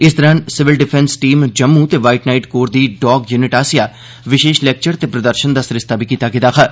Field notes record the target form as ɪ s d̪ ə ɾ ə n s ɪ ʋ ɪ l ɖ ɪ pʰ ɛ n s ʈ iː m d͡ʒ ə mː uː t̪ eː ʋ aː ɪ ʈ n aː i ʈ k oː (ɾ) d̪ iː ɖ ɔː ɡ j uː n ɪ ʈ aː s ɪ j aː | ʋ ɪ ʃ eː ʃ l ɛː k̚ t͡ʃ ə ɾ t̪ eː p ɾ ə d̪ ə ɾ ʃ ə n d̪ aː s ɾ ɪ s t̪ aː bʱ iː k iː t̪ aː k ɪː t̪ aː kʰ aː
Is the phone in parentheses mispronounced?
no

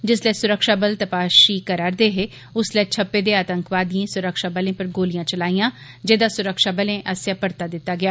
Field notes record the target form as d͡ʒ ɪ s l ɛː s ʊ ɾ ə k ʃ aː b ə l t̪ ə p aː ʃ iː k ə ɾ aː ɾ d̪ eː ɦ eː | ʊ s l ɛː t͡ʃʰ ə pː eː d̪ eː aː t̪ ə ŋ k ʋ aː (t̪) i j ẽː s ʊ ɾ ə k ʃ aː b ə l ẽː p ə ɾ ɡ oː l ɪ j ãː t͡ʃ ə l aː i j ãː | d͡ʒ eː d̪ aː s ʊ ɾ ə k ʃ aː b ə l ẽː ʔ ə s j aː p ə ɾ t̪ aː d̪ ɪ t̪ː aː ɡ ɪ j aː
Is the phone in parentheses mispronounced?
yes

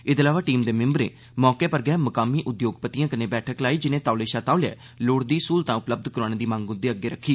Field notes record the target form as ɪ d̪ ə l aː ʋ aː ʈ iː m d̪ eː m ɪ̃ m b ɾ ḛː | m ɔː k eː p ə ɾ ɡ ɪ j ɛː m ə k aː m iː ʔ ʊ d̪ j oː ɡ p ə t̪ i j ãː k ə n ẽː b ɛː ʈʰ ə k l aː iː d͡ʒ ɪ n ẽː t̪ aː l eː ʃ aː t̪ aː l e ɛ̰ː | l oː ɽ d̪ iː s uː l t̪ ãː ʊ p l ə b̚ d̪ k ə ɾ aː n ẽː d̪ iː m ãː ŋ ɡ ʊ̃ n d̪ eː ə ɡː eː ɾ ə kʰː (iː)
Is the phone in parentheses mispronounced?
no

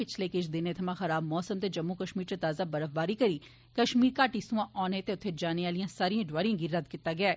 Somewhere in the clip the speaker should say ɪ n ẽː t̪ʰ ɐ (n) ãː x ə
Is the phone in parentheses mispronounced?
yes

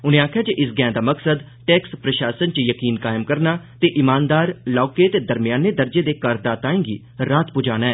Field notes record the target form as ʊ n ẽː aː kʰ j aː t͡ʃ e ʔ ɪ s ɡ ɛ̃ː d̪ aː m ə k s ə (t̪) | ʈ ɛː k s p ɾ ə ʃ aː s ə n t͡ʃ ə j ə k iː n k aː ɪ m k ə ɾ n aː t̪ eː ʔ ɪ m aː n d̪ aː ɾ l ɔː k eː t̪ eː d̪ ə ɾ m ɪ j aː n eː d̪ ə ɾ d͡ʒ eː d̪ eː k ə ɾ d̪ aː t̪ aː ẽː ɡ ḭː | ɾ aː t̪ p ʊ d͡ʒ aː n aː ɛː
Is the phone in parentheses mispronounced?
yes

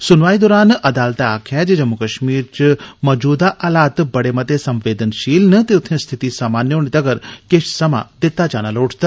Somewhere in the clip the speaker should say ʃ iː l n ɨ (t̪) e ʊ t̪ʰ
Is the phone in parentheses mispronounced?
no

